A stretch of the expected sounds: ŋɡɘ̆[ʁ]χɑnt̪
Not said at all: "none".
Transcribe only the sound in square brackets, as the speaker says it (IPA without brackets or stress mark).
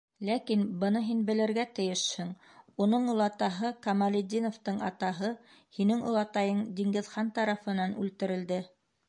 ð